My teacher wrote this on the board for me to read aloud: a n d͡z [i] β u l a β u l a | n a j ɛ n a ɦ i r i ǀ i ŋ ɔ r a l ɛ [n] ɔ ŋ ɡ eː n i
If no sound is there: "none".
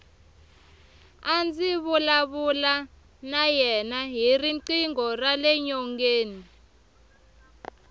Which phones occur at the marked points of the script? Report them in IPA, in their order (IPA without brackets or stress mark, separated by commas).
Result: i, ɲ